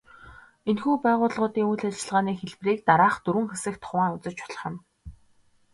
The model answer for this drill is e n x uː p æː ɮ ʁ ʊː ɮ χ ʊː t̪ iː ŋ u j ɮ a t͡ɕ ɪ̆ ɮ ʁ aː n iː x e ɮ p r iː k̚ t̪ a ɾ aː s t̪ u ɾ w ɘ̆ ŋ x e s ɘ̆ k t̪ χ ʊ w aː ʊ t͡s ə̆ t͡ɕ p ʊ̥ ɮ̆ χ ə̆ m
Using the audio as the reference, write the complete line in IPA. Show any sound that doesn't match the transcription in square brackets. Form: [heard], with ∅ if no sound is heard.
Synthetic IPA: e n x uː p æː [∅] ʁ ʊː ɮ [ʁ] ʊː t̪ iː ŋ u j ɮ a t͡ɕ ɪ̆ ɮ ʁ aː n iː x e ɮ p r iː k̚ t̪ a ɾ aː [χ] t̪ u ɾ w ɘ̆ ŋ x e s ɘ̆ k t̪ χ ʊ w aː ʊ t͡s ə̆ t͡ɕ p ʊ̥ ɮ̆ χ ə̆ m